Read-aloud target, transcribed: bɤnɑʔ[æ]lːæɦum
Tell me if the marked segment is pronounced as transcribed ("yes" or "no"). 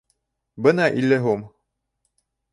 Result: no